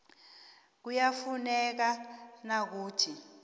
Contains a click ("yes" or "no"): no